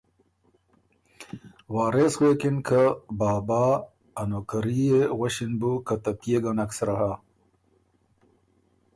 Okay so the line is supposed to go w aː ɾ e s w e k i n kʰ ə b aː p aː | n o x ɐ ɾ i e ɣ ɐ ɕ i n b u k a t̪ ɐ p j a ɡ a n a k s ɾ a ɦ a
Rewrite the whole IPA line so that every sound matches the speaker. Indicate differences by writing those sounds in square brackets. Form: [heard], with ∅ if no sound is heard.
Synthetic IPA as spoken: w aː ɾ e s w e k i n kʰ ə b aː [b] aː | n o [k] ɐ ɾ i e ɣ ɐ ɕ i n b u k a t̪ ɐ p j [e] ɡ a n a k s ɾ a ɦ a